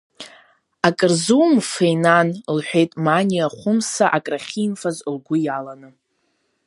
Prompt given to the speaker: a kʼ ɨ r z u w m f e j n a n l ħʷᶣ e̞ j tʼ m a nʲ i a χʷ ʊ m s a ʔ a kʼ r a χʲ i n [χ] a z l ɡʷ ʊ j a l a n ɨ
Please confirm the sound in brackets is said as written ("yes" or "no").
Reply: no